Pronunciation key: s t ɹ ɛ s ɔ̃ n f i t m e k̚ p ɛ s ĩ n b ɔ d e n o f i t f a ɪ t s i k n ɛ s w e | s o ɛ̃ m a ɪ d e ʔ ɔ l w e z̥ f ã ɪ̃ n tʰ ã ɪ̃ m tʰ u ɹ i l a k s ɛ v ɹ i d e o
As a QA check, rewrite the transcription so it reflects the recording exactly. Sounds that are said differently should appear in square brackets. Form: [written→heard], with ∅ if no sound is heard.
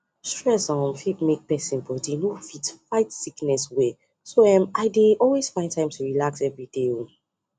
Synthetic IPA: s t ɹ ɛ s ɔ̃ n f i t m e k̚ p ɛ s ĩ n b ɔ d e n o f i t f a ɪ t s i k n ɛ s w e | s o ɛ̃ m a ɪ d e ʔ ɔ l w e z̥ f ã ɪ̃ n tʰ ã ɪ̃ m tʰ u ɹ i l a k s ɛ v ɹ i d e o